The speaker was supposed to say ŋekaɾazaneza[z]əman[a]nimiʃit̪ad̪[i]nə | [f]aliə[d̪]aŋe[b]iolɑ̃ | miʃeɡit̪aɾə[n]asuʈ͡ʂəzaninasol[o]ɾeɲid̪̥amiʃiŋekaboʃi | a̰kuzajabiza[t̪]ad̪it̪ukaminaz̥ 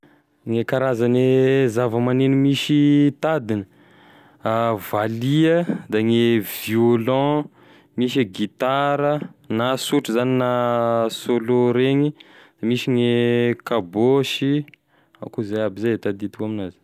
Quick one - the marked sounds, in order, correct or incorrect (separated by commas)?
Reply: incorrect, incorrect, correct, incorrect, correct, incorrect, correct, correct, correct